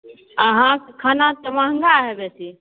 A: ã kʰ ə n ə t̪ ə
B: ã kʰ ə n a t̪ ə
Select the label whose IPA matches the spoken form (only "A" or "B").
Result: B